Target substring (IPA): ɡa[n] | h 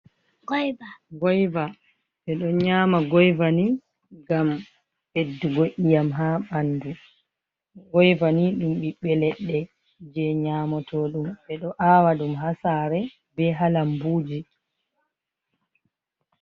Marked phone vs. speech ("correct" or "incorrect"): incorrect